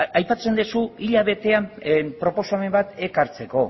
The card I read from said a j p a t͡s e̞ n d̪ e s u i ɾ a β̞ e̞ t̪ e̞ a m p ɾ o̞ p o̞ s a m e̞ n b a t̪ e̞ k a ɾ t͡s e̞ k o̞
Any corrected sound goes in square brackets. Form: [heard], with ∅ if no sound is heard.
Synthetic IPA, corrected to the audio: a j p a t͡s e̞ n d̪ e s u i [ʎ] a β̞ e̞ t̪ e̞ a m p ɾ o̞ p o̞ s a m e̞ [m] b a t̪ e̞ k a ɾ t͡s e̞ k o̞

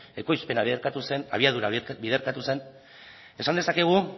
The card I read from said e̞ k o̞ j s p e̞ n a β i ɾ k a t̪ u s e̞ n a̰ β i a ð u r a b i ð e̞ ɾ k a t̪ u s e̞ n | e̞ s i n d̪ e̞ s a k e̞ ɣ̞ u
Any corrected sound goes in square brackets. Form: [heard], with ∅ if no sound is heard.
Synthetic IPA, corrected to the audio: e̞ k o̞ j s p e̞ n a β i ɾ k a t̪ u s e̞ n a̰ β i a ð u [ɾ] a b i ð e̞ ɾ k a t̪ u s e̞ n | e̞ s [a] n d̪ e̞ s a k e̞ ɣ̞ u

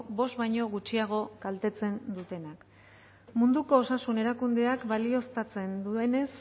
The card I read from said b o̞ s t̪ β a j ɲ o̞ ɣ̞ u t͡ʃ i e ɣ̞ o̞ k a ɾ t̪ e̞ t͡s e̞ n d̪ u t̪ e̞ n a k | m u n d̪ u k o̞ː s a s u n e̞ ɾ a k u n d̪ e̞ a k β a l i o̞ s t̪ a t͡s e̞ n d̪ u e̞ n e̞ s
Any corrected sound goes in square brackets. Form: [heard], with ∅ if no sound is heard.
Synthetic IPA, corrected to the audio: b o̞ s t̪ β a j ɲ o̞ ɣ̞ u t͡ʃ i [a] ɣ̞ o̞ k a [l] t̪ e̞ t͡s e̞ n d̪ u t̪ e̞ n a k | m u n d̪ u k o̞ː s a s u n e̞ ɾ a k u n d̪ e̞ a k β a l i o̞ s t̪ a t͡s e̞ n d̪ u e̞ n e̞ s

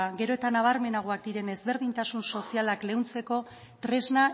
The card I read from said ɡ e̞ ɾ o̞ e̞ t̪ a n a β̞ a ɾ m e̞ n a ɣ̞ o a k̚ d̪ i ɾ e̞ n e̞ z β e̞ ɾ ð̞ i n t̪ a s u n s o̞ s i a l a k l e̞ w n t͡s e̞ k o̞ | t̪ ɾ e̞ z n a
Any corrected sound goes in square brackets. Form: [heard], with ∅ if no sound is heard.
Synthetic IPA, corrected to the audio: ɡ e̞ ɾ o̞ e̞ t̪ a n a β̞ a ɾ m e̞ n a ɣ̞ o a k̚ d̪ i ɾ e̞ n e̞ z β e̞ ɾ ð̞ i n t̪ a s u n s o̞ s i a l a k l e̞ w n t͡s e̞ k o̞ | t̪ ɾ e̞ z n a

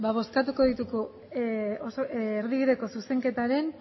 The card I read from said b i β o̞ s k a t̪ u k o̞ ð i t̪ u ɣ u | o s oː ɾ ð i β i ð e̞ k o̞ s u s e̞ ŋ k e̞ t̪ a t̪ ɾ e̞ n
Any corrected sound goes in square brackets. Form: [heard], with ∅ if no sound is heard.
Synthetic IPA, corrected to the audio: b [a] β o̞ s k a t̪ u k o̞ ð i t̪ u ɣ u | o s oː ɾ ð i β i ð e̞ k o̞ s u s e̞ ŋ k e̞ t̪ a [∅] ɾ e̞ n

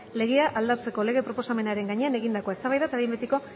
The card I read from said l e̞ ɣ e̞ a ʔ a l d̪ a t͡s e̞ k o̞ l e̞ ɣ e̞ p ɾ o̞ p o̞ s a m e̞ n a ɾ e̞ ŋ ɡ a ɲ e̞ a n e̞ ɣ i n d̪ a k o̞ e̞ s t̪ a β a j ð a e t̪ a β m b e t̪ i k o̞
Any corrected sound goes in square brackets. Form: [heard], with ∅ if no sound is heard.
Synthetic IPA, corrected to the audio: l e̞ ɣ e̞ a ʔ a l d̪ a t͡s e̞ k o̞ l e̞ ɣ e̞ p ɾ o̞ p o̞ s a m e̞ n a ɾ e̞ ŋ ɡ a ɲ e̞ a n e̞ ɣ i n d̪ a k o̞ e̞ s t̪ a β a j ð a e t̪ a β m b e t̪ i k o̞

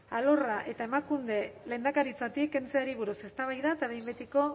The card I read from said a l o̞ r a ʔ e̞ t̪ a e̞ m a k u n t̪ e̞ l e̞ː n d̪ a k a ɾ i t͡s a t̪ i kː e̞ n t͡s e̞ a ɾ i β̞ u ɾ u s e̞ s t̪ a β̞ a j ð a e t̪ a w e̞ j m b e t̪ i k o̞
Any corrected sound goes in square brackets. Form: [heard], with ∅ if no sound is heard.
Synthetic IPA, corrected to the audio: a l o̞ r a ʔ e̞ t̪ a e̞ m a k u n [d̪] e̞ l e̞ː n d̪ a k a ɾ i t͡s a t̪ i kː e̞ n t͡s e̞ a ɾ i β̞ u ɾ u s e̞ s t̪ a β̞ a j ð a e t̪ a [β] e̞ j m b e t̪ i k o̞

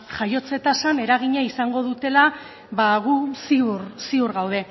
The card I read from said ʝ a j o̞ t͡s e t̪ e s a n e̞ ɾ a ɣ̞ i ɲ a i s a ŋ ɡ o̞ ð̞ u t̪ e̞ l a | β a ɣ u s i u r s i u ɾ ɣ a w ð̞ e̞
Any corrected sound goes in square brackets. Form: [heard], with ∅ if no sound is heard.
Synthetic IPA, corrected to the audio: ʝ a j o̞ t͡s e t̪ [a] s a n e̞ ɾ a ɣ̞ i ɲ a i s a ŋ ɡ o̞ ð̞ u t̪ e̞ l a | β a ɣ u s i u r s i u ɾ ɣ a w ð̞ e̞

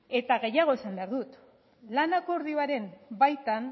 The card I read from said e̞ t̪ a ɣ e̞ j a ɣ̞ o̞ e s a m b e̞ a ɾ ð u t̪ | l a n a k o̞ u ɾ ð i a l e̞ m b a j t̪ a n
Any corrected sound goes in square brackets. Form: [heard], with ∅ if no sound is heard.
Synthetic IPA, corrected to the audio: e̞ t̪ a ɣ e̞ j a ɣ̞ o̞ e s a m b e̞ a ɾ ð u t̪ | l a n a k o̞ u ɾ ð i a [ɾ] e̞ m b a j t̪ a n

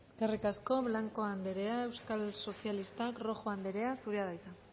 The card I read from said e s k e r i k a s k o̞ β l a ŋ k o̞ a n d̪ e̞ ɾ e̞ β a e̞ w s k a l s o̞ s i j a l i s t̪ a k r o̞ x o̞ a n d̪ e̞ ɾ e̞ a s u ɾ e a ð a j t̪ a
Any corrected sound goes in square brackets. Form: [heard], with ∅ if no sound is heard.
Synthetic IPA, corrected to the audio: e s k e r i k a s k o̞ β l a ŋ k o̞ a n d̪ e̞ ɾ e̞ [∅] a e̞ w s k a l s o̞ s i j a l i s t̪ a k r o̞ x o̞ a n d̪ e̞ ɾ e̞ a s u ɾ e a ð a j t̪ a

